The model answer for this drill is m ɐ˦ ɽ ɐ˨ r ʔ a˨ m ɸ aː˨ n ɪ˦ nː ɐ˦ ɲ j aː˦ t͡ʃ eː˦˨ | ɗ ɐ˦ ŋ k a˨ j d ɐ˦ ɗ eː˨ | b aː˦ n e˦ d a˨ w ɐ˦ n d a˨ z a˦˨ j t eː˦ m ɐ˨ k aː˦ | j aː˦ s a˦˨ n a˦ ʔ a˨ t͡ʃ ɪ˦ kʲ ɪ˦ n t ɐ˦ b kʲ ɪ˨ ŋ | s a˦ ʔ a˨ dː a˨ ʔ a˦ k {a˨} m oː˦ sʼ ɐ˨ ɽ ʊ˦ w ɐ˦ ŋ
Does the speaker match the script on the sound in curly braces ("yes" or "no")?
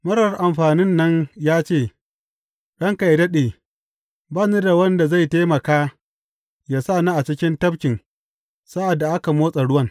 yes